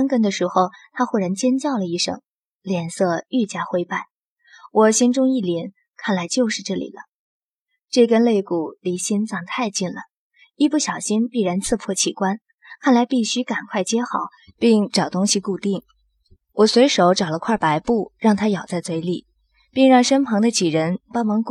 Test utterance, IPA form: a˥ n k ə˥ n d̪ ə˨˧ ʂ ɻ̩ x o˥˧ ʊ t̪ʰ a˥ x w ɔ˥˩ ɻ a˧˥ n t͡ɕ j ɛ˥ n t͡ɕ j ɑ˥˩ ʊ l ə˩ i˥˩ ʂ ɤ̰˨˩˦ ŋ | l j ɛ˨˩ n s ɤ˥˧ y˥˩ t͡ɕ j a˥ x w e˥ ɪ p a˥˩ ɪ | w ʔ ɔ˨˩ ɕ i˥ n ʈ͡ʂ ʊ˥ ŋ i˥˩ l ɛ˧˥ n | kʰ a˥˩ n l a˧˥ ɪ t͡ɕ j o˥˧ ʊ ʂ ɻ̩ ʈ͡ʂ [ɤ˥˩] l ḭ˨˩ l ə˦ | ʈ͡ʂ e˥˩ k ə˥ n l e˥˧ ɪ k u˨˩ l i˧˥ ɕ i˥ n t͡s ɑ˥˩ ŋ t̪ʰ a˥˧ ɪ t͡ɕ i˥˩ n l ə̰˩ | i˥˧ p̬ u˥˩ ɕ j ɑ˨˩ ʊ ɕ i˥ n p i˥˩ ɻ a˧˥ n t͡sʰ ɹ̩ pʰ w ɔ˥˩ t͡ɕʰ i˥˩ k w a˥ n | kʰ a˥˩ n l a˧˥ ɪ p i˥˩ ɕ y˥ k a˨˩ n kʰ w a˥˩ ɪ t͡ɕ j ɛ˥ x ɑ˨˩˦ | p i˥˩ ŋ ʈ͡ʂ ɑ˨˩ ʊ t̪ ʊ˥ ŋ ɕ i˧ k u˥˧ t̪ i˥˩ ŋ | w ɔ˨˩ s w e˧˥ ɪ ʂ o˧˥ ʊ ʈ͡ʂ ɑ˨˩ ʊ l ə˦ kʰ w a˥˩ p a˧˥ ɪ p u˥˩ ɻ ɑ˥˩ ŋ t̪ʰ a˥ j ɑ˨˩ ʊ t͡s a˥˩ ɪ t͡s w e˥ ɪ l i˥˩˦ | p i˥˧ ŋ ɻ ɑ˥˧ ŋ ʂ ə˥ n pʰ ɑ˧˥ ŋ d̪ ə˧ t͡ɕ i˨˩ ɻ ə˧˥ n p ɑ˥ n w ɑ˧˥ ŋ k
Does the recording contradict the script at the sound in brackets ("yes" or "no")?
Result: no